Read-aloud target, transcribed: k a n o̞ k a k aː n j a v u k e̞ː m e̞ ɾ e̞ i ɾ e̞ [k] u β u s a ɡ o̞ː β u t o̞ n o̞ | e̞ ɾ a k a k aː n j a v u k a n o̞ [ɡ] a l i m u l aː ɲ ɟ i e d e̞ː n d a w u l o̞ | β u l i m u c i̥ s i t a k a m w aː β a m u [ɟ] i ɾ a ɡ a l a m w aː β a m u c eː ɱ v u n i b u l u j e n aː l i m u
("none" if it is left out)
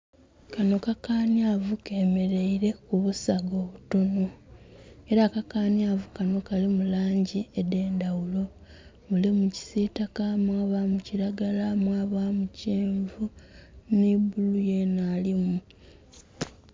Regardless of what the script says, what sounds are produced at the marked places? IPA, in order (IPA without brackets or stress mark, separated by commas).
k, k, c